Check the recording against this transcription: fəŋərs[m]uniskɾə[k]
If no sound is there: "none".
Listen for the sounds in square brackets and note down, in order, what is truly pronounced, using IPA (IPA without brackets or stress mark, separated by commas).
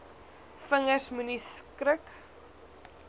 m, k